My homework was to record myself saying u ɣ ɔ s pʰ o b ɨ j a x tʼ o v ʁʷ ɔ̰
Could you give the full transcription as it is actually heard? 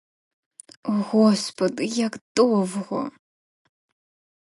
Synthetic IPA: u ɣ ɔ s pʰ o d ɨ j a k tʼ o v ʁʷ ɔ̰